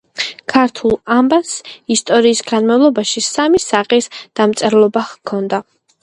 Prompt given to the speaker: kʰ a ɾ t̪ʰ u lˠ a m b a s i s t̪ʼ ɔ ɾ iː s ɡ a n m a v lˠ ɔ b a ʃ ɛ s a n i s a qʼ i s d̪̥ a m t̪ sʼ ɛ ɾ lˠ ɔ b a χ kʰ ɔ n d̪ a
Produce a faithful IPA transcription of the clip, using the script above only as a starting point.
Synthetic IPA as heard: kʰ a ɾ t̪ʰ u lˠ a m b a s i s t̪ʼ ɔ ɾ iː s ɡ a n m a v lˠ ɔ b a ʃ i s a m i s a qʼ i s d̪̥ a m t̪ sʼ ɛ ɾ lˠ ɔ b a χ kʰ ɔ n d̪ a